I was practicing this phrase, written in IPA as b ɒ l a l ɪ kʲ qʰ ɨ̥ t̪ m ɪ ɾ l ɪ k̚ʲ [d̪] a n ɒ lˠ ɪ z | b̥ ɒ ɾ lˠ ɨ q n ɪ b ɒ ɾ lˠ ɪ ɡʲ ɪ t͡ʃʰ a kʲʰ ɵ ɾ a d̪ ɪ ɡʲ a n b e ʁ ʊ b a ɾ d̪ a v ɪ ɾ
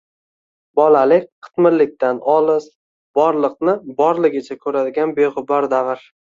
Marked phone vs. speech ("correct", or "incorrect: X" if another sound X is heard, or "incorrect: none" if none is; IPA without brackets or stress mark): incorrect: t̪